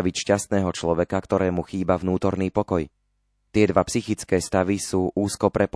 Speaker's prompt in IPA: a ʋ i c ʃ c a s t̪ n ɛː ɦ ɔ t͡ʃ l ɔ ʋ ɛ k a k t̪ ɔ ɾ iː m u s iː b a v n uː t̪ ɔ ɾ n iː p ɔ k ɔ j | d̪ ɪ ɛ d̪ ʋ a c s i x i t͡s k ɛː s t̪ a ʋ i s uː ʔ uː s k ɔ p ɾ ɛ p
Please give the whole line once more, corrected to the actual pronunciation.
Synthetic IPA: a ʋ i c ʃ c a s t̪ n ɛː ɦ ɔ t͡ʃ l ɔ ʋ ɛ k a k t̪ ɔ ɾ ɛː m u x iː b a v n uː t̪ ɔ ɾ n iː p ɔ k ɔ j | t̪ ɪ ɛ d̪ ʋ a p s i x i t͡s k ɛː s t̪ a ʋ i s uː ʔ uː s k ɔ p ɾ ɛ p